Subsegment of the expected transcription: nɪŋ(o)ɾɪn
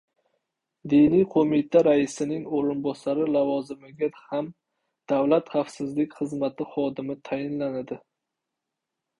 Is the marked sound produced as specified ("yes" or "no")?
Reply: yes